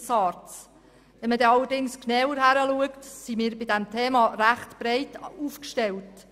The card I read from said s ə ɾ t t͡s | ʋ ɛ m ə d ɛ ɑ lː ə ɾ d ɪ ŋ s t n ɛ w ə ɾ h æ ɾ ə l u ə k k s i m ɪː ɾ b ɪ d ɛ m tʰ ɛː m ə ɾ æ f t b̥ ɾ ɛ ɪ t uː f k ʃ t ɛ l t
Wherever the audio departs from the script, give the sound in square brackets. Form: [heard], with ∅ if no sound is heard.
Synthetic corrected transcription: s [ɑ] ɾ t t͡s | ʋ ɛ m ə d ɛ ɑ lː ə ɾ d ɪ ŋ s [k] n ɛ w ə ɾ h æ ɾ ə l u ə k [t] s i m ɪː ɾ b ɪ d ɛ m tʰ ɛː m [ɑ] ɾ æ [χ] t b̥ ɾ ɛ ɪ t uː f k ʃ t ɛ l t

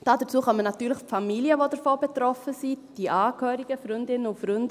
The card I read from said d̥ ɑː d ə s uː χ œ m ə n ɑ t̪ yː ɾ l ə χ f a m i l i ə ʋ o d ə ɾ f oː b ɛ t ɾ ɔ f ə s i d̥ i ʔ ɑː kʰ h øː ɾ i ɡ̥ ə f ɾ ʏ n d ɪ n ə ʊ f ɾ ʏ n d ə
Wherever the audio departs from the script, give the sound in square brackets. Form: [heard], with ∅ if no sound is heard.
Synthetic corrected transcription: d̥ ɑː d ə [t͡s] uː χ œ m ə n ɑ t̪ yː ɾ l ə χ f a m i l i ə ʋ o d ə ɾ f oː b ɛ t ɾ ɔ f ə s i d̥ i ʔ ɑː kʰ h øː ɾ i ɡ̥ ə f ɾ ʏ n d ɪ n ə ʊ f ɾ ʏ n d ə

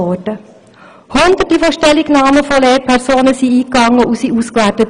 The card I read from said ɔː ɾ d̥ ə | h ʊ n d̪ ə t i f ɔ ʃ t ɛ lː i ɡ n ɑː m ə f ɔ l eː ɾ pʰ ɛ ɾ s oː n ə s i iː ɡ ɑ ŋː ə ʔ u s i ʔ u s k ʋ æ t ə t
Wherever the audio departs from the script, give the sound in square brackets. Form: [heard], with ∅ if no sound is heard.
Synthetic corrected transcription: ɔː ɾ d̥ ə | h ʊ n d̪ ə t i f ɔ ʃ t ɛ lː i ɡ n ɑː m ə f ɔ l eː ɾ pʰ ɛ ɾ s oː n ə s i iː [k] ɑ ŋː ə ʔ u s i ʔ u s k ʋ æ t ə t

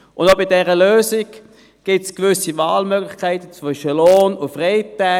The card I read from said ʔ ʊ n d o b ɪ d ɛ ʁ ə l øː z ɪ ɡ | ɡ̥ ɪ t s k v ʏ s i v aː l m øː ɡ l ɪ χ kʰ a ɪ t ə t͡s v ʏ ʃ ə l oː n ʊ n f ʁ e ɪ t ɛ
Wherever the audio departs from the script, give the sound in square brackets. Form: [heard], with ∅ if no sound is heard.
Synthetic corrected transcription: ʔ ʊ n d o b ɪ d ɛ ʁ ə l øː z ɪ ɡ | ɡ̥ ɪ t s k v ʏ s i v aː l m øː ɡ l ɪ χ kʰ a ɪ t ə t͡s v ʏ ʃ ə l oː n ʊ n f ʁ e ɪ t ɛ

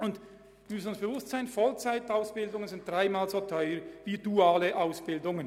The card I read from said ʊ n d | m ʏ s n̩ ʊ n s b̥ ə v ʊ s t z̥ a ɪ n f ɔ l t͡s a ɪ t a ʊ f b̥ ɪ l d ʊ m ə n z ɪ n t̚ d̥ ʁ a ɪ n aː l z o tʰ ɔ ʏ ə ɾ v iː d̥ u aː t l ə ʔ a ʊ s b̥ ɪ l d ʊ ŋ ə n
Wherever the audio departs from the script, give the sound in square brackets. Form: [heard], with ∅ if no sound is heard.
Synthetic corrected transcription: ʊ n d | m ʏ s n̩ ʊ n s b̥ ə v ʊ s t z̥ a ɪ n f ɔ l t͡s a ɪ t a ʊ [s] b̥ ɪ l d ʊ [ŋ] ə n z ɪ n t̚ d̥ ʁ a ɪ [m] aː l z o tʰ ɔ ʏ ə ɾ v iː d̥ u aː [∅] l ə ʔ a ʊ s b̥ ɪ l d ʊ ŋ ə n

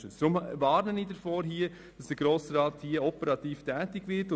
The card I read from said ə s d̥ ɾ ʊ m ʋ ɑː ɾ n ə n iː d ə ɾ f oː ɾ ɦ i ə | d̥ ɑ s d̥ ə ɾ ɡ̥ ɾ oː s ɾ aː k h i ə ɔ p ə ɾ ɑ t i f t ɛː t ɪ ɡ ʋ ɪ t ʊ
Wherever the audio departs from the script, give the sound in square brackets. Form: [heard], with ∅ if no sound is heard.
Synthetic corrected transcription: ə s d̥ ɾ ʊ m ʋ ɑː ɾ n ə n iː d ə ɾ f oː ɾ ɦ i ə | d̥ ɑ s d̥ ə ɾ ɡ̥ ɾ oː s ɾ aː [t] h i ə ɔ p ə ɾ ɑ t [iː] f t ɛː t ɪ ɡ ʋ ɪ t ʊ

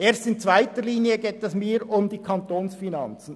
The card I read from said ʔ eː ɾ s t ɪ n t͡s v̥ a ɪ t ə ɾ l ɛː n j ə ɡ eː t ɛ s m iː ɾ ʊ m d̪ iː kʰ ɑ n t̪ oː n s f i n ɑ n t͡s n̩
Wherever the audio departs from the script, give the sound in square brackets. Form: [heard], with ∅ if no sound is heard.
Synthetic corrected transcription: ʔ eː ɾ s t ɪ n t͡s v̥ a ɪ t ə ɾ l [iː] n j ə ɡ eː t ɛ s m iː ɾ ʊ m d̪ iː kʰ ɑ n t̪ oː n s f i n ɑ n t͡s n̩

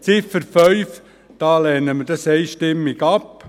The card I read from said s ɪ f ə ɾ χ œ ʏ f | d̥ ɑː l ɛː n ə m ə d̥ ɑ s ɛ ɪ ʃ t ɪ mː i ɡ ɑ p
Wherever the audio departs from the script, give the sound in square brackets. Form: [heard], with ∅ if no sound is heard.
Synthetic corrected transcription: [t͡s] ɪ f ə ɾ [f] œ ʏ f | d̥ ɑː l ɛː n ə m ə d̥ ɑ s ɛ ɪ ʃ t ɪ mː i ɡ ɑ p

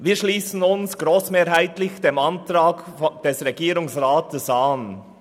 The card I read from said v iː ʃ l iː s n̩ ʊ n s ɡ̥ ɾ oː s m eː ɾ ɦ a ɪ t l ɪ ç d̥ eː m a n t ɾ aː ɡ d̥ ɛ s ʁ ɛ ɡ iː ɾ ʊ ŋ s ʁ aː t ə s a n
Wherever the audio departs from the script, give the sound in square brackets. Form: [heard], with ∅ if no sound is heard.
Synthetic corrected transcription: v iː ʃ l iː s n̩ ʊ n s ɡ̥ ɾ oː s m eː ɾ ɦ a ɪ t l ɪ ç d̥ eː m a n t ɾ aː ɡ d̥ ɛ s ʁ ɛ ɡ iː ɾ ʊ ŋ s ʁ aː t ə s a n

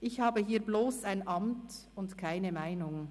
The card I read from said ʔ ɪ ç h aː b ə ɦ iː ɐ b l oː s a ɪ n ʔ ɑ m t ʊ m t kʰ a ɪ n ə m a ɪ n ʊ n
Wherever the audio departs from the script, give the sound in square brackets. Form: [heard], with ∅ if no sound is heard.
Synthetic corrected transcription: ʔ ɪ ç h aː b ə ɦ iː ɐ b l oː s a ɪ n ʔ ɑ m t ʊ [n] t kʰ a ɪ n ə m a ɪ n ʊ [ŋ]

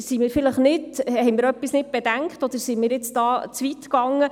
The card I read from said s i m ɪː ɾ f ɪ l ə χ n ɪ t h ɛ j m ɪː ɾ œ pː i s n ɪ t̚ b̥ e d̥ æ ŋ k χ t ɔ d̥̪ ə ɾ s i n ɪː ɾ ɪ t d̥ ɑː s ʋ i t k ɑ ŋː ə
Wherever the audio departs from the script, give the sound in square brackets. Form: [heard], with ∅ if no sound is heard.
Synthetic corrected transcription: s i m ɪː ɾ f ɪ l ə χ n ɪ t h ɛ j m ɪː ɾ œ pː i s n ɪ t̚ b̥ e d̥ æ ŋ k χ t ɔ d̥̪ ə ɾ s i [m] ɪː ɾ ɪ [t͡s] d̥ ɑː [t͡s] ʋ i t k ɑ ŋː ə

